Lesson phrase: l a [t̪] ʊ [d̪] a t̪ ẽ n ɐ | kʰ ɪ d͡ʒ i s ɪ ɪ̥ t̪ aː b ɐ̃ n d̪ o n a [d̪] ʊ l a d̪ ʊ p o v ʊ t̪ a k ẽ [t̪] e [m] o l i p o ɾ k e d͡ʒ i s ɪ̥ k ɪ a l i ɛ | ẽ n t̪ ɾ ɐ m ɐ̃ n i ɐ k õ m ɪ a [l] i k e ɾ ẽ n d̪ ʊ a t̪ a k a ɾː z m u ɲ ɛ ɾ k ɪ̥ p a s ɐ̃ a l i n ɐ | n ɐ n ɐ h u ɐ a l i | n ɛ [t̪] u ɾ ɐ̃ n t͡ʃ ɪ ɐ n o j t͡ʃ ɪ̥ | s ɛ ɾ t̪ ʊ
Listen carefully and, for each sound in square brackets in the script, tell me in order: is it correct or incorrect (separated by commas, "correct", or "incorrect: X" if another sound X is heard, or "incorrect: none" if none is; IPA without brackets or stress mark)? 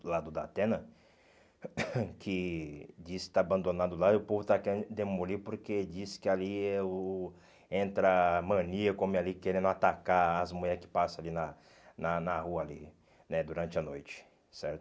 incorrect: d̪, correct, correct, incorrect: d̪, correct, correct, incorrect: d̪